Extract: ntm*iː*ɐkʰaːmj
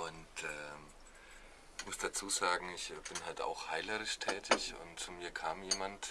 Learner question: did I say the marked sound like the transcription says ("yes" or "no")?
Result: yes